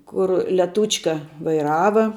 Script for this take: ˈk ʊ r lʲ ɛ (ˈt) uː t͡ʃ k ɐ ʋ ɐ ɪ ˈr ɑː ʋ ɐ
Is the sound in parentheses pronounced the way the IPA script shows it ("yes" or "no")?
yes